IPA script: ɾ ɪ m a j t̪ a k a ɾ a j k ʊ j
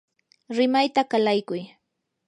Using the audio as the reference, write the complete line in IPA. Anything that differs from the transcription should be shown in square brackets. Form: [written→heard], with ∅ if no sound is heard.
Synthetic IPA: ɾ ɪ m a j t̪ a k a [ɾ→l] a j k ʊ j